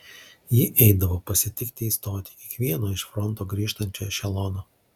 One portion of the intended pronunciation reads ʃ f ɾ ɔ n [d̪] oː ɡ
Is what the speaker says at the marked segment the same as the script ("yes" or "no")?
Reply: no